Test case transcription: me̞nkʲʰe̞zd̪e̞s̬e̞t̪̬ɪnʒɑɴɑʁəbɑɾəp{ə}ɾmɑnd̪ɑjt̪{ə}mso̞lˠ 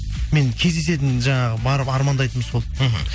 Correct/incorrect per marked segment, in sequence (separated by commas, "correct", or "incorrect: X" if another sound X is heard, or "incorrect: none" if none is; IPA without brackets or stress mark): incorrect: ɑ, correct